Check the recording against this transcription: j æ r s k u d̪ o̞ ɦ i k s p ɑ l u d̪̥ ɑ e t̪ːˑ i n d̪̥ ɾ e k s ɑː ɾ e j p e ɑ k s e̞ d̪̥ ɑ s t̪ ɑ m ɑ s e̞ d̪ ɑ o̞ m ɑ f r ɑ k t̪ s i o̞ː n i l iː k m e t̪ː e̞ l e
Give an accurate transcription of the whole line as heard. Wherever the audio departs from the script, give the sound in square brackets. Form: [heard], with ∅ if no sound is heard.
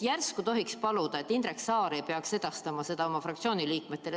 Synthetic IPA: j æ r s k u [t̪] o̞ ɦ i k s p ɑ l u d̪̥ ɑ e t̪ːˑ i n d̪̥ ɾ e k s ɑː ɾ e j p e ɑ k s e̞ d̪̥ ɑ s t̪ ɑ m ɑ s e̞ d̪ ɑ o̞ m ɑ f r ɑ k t̪ s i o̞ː n i l iː k m e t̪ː e̞ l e